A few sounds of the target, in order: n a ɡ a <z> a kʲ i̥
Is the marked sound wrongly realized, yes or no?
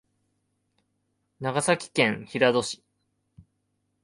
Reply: yes